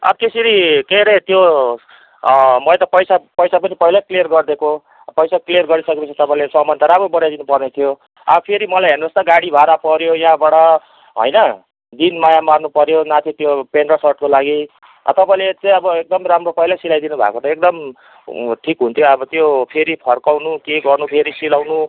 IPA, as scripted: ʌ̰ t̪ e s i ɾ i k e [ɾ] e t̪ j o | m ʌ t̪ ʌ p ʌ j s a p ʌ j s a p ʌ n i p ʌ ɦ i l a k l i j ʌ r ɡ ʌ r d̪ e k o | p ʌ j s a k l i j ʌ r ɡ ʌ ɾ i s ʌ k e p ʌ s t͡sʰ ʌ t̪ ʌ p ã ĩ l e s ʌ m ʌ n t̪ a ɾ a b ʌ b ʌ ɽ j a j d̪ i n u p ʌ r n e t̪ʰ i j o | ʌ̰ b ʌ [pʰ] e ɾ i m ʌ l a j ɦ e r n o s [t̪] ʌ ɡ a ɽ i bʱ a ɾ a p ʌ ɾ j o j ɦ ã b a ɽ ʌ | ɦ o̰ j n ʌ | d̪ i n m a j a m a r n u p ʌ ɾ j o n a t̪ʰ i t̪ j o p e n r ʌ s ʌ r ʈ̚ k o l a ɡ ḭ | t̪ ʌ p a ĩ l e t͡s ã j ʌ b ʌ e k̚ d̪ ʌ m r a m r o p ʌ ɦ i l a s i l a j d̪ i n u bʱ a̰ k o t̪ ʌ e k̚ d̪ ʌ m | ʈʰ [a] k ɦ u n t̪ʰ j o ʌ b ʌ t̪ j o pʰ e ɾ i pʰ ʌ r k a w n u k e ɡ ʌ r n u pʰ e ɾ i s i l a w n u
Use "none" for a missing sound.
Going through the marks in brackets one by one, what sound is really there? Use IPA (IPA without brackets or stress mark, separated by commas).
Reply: ɾ, pʰ, t̪, i